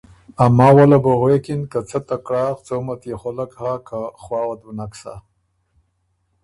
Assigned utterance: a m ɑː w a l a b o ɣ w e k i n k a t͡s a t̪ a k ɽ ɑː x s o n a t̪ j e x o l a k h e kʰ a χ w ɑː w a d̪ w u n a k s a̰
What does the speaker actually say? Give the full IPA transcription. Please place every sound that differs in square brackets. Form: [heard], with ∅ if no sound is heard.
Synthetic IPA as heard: a m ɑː w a l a b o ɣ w e k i n k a t͡s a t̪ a k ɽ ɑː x [t͡s] o [m] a t̪ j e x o l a k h [a] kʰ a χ w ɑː w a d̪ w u n a k s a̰